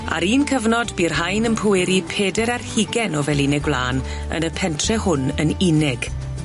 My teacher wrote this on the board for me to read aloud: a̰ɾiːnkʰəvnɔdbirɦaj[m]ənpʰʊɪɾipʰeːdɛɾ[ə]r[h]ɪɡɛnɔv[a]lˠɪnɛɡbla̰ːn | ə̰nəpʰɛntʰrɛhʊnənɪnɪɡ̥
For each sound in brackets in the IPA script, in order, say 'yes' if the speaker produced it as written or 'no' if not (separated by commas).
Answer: no, no, yes, no